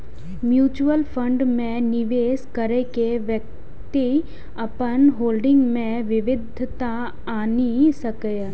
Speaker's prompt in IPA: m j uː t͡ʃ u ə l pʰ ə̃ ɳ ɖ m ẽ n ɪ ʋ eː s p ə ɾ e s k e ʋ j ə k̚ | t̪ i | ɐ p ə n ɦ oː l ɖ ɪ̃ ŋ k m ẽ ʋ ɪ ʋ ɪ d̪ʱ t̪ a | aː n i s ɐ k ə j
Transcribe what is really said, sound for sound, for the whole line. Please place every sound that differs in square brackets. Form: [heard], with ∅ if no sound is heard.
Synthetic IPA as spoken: m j uː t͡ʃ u ə l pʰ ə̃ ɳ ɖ m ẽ n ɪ ʋ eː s [k] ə ɾ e [∅] k e ʋ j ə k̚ | t̪ i | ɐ p ə n ɦ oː l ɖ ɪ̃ ŋ [ɡ] m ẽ ʋ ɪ ʋ ɪ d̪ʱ t̪ a | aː n i s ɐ k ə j